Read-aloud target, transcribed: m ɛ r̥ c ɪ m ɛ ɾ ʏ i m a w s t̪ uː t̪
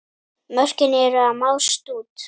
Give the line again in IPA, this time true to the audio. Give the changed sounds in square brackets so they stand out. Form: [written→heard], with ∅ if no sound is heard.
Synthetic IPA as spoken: m [ɛ→œ] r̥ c ɪ [m→n] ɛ ɾ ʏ [i→a] m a w s t̪ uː t̪